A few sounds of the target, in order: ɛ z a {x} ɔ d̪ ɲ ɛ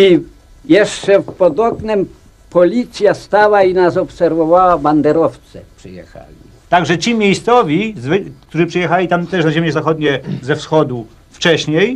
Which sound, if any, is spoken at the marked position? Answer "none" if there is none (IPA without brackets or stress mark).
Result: x